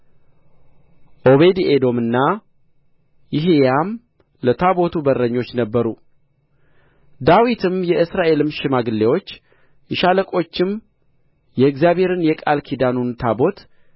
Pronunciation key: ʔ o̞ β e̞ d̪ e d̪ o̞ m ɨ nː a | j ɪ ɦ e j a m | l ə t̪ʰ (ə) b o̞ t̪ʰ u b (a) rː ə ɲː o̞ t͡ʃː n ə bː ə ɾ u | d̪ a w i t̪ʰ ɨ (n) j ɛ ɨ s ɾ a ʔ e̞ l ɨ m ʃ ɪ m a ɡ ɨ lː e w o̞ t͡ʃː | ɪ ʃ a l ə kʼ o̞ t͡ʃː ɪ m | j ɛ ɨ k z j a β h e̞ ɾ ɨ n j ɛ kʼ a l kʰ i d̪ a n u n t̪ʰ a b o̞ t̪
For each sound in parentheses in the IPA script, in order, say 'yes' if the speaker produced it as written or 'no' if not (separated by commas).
no, no, no